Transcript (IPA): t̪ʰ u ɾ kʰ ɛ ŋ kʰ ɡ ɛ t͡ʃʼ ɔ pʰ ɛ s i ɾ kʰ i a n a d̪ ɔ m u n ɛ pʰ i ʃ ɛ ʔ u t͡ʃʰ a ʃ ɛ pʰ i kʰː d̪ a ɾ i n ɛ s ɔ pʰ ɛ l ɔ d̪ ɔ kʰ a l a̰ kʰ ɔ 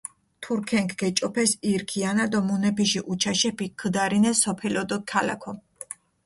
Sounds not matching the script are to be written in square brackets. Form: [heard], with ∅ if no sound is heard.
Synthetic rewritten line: t̪ʰ u ɾ kʰ ɛ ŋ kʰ ɡ ɛ t͡ʃʼ ɔ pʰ ɛ s i ɾ kʰ i a n a d̪ ɔ m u n ɛ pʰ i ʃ [i] ʔ u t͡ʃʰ a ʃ ɛ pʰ i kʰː d̪ a ɾ i n ɛ s ɔ pʰ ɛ l ɔ d̪ ɔ kʰ a l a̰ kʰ ɔ